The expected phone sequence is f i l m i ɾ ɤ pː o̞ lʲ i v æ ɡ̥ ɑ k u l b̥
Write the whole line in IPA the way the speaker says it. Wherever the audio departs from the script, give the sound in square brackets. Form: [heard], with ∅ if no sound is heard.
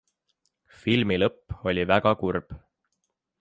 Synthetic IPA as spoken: f i l m i [l] ɤ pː o̞ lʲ i v æ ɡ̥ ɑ k u [r] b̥